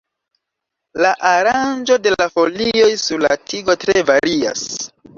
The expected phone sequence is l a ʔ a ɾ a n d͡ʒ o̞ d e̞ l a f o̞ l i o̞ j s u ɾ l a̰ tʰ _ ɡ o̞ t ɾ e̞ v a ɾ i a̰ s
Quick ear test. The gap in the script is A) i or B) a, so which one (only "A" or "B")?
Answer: A